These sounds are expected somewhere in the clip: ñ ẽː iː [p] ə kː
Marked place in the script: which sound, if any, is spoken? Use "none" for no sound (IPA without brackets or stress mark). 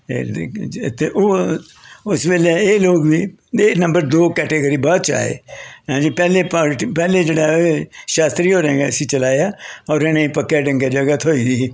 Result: p